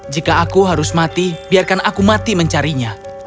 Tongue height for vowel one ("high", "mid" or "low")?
high